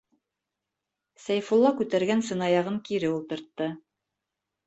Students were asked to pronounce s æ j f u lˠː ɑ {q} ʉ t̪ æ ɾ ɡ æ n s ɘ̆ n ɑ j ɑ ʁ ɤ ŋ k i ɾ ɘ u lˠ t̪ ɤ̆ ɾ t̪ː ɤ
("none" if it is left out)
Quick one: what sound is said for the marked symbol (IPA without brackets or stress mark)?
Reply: k